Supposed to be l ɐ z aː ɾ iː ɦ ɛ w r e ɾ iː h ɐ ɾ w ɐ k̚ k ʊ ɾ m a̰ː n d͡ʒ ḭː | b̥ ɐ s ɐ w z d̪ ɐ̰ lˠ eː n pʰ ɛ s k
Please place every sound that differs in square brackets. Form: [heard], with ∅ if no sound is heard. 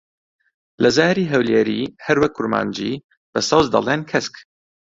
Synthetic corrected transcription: l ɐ z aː ɾ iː ɦ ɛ w [l] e ɾ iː h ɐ ɾ w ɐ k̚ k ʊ ɾ m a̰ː n d͡ʒ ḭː | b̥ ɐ s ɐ w z d̪ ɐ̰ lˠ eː n [kʰ] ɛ s k